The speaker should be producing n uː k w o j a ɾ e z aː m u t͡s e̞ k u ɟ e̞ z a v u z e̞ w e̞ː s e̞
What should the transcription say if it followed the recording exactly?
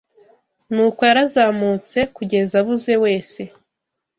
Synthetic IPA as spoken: n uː k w o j a ɾ a z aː m u t͡s e̞ k u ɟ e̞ z a β u z e̞ w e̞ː s e̞